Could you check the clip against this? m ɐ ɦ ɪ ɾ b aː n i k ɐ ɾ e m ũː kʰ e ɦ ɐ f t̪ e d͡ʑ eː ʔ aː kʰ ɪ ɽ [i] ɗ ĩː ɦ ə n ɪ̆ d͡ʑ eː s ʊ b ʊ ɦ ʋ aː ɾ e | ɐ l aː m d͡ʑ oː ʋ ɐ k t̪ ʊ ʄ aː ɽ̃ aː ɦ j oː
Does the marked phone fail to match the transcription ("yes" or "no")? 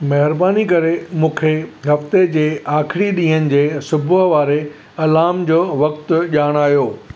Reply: no